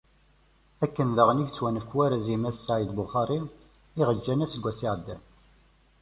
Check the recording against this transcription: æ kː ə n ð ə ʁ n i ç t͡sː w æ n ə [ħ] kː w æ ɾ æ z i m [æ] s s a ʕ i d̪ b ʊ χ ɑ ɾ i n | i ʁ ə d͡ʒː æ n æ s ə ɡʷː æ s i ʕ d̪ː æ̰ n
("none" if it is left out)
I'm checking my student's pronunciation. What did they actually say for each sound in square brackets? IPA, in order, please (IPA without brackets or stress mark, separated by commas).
f, æ